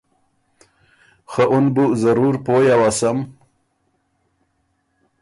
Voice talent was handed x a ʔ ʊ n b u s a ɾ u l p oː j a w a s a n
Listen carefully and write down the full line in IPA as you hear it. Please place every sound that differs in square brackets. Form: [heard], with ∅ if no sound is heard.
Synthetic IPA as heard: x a ʔ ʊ n b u [z] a ɾ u [ɾ] p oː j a w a s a [m]